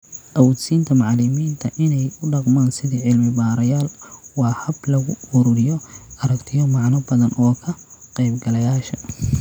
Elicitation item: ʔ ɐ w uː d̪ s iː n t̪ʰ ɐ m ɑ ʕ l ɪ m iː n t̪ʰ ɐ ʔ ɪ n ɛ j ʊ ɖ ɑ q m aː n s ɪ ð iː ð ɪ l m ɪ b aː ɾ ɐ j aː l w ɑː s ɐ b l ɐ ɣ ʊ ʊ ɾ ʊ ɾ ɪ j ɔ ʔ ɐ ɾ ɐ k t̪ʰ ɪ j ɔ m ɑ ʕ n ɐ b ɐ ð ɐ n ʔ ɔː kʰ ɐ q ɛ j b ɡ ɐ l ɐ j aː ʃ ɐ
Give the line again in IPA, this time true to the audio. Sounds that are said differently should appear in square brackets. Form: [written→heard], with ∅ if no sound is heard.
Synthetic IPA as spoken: ʔ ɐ w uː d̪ s iː n t̪ʰ ɐ m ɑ ʕ l ɪ m iː n t̪ʰ ɐ ʔ ɪ n ɛ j ʊ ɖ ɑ q m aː n s ɪ ð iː [ð→ʕ] ɪ l m ɪ b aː ɾ ɐ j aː l w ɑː [s→h] ɐ b l ɐ ɣ ʊ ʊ ɾ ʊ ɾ ɪ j ɔ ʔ ɐ ɾ ɐ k t̪ʰ ɪ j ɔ m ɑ ʕ n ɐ b ɐ ð ɐ n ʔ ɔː kʰ ɐ q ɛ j b ɡ ɐ l ɐ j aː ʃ ɐ